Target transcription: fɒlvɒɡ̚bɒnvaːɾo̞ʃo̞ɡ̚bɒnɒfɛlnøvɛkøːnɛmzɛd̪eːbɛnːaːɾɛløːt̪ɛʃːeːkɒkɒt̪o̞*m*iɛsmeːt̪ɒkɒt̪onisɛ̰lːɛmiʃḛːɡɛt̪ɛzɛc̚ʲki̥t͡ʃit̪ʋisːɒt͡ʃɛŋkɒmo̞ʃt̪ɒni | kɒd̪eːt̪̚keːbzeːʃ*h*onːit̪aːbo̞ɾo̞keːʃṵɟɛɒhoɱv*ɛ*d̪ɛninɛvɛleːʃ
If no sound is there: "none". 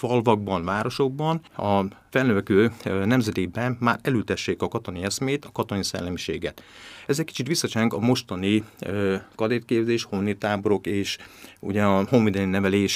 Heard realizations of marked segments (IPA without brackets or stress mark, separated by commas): n, h, i